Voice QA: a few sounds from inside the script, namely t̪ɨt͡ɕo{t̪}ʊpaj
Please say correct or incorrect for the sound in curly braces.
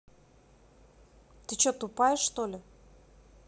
correct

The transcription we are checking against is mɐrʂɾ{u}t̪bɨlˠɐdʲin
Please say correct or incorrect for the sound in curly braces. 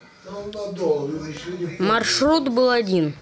correct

